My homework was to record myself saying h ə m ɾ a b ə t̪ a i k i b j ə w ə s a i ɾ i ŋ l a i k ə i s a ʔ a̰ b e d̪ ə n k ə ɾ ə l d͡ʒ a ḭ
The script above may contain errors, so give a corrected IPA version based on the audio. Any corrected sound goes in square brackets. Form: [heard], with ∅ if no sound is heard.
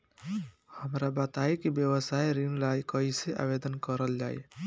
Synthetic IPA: h ə m ɾ a b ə t̪ a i k i b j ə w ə s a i ɾ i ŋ l a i k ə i s [e] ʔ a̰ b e d̪ ə n k ə ɾ ə l d͡ʒ a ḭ